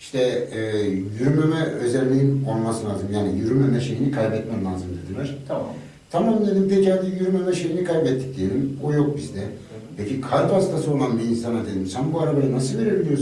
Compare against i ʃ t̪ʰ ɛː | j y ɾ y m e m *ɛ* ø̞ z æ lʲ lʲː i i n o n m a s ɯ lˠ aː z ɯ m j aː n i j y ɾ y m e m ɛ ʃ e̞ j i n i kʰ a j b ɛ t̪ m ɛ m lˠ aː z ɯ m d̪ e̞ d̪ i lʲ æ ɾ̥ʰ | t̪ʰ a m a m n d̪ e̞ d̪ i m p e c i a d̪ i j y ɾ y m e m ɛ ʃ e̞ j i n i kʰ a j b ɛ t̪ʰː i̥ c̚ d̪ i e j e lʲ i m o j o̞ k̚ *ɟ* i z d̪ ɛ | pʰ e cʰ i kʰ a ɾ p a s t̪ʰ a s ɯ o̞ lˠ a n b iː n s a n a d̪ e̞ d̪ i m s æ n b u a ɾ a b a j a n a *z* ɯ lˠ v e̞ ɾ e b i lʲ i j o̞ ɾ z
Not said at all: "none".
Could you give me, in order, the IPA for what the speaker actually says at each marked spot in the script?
ɛ, b, s

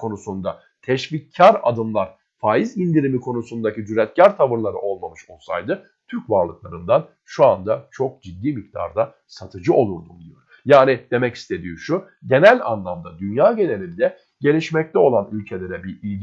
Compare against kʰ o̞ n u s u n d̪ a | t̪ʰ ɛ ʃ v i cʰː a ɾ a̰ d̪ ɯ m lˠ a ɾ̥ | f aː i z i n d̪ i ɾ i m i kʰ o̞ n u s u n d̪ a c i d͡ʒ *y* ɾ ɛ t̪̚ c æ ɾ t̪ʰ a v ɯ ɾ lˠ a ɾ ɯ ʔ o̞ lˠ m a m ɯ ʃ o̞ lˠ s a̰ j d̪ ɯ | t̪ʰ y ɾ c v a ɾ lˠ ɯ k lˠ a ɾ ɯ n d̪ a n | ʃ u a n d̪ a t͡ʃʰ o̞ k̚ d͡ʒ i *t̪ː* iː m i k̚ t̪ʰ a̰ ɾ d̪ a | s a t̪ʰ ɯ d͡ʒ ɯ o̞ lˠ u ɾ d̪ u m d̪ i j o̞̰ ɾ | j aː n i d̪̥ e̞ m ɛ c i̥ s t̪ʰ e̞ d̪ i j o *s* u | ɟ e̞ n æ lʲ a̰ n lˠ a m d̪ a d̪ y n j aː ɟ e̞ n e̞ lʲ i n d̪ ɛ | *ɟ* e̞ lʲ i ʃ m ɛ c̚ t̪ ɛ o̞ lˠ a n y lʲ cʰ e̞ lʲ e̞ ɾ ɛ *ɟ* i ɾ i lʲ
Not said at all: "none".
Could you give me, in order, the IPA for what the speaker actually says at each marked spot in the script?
y, d̪ː, ʃ, ɟ, b

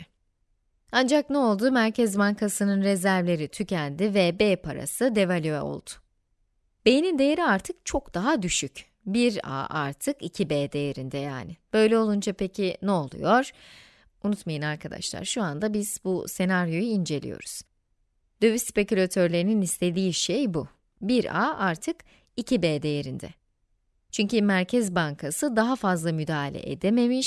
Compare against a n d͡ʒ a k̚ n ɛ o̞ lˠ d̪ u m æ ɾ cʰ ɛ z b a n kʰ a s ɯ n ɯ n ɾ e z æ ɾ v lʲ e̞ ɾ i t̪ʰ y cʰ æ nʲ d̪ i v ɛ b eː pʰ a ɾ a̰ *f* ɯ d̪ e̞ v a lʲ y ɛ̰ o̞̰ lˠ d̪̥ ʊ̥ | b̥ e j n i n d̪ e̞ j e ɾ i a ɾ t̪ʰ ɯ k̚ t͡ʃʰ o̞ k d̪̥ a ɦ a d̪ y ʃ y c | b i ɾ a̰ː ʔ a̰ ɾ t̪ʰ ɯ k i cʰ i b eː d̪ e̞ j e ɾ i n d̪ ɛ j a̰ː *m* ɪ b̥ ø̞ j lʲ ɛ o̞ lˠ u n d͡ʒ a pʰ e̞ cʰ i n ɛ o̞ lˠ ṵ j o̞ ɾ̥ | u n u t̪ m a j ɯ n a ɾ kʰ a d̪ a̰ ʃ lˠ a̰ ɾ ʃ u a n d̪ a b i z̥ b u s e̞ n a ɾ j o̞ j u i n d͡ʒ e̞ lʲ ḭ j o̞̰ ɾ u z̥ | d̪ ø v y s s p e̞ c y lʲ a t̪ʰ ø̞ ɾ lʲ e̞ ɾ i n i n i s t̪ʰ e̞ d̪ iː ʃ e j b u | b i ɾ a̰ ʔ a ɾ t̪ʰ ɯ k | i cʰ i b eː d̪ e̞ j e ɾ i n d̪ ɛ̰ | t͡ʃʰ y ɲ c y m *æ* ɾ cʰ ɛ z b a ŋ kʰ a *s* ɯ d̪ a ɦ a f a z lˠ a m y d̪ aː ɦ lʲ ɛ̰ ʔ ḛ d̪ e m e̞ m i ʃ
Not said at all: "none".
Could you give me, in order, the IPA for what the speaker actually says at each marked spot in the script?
s, n, æ, s

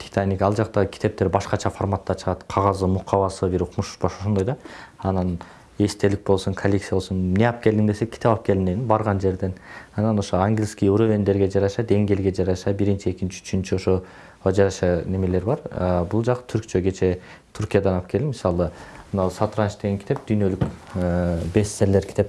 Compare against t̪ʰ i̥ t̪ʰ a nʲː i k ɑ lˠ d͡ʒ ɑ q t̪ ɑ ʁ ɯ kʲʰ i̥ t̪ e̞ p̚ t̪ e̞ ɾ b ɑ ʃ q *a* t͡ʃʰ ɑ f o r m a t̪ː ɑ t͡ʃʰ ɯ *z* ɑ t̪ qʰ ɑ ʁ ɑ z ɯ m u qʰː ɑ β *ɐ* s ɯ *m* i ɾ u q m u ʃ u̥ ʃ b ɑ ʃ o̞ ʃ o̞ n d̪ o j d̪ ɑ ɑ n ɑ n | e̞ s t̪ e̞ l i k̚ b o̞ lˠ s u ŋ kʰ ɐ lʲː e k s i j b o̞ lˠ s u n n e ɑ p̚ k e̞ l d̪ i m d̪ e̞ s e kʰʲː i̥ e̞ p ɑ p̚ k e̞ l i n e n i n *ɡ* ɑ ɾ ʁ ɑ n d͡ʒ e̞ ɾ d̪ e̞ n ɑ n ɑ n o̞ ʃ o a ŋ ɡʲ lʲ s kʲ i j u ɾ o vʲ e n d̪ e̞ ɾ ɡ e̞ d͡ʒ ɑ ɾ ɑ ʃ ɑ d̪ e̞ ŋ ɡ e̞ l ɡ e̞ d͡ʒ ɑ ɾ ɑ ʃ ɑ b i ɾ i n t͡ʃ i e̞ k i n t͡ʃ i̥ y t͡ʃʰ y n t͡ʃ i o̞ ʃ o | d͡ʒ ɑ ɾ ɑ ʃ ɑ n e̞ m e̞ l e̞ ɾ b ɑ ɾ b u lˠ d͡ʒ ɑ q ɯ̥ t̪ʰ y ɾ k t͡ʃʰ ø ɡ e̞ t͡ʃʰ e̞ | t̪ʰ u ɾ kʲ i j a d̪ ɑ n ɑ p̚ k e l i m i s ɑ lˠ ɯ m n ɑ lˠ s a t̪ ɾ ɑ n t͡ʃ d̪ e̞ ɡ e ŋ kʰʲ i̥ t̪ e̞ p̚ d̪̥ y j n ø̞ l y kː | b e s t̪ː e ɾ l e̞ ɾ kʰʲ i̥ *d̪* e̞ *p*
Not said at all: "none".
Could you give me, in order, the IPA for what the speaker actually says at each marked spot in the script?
ɑ, ʁ, ɑ, b, b, t̪, p

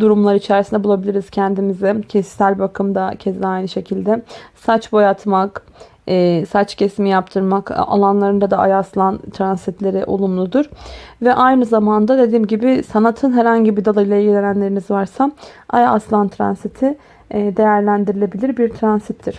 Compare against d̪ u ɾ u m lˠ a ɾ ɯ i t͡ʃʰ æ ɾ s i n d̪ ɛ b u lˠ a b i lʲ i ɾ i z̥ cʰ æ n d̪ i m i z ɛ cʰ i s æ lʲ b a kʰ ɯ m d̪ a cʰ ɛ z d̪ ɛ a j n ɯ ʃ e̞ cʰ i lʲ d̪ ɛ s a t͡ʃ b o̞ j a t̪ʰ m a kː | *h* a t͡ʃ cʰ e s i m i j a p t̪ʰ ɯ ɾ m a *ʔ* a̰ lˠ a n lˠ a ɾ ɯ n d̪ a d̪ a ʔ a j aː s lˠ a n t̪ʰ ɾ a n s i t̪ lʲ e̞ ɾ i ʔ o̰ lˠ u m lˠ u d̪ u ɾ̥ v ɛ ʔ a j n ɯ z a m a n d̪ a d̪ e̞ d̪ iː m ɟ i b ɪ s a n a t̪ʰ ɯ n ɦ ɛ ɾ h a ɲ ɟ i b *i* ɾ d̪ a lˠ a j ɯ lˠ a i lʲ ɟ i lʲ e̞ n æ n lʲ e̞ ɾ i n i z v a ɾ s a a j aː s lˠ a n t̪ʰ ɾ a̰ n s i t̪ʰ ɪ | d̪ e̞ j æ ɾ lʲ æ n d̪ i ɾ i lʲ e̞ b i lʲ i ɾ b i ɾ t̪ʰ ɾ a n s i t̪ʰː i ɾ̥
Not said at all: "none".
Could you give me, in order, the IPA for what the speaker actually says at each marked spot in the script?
s, k, i

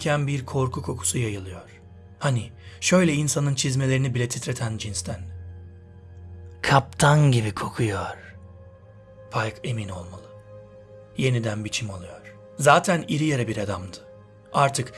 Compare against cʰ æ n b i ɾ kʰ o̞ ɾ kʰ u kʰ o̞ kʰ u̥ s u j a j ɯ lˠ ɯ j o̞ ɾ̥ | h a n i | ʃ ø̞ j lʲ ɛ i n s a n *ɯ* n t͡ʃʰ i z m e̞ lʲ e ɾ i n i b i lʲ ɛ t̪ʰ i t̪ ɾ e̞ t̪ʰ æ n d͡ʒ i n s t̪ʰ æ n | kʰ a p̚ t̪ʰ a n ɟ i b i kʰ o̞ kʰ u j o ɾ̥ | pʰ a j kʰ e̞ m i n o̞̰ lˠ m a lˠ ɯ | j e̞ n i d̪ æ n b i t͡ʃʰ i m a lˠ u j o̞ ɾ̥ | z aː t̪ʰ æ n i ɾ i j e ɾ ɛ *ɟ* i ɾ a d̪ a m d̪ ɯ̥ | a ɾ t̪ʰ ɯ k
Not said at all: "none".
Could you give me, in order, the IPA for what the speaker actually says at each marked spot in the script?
ɯ, b

